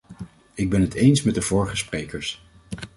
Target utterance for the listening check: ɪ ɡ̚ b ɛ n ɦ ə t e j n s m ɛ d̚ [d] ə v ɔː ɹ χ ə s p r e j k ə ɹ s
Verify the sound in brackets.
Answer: correct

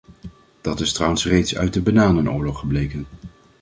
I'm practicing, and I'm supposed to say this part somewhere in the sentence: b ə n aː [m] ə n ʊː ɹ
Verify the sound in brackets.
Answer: incorrect: n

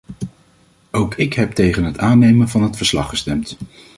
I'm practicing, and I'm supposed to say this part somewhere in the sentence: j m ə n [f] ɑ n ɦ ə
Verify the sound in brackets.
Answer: incorrect: v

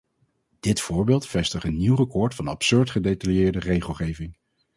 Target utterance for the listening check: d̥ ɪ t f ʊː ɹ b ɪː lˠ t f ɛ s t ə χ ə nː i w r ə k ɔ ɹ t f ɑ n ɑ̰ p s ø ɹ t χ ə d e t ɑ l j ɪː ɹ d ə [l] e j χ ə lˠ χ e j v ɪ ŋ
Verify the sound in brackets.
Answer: incorrect: r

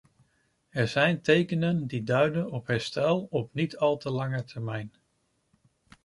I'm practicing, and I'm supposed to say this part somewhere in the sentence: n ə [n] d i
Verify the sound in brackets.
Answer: correct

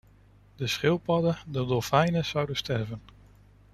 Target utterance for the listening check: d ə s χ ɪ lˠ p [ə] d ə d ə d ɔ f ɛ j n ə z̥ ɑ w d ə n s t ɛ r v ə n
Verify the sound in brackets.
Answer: incorrect: ɑ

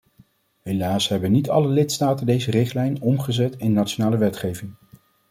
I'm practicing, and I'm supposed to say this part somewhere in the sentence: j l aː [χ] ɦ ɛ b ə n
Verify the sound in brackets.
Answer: incorrect: s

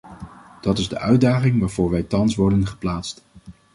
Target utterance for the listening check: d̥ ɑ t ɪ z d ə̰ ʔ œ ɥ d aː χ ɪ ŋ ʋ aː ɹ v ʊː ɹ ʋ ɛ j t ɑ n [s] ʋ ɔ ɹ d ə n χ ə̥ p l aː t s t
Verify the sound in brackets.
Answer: correct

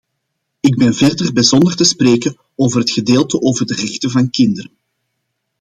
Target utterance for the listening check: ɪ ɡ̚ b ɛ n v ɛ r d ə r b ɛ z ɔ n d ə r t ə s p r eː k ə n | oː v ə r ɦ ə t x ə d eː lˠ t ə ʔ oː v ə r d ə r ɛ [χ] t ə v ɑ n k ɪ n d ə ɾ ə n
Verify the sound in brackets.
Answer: incorrect: x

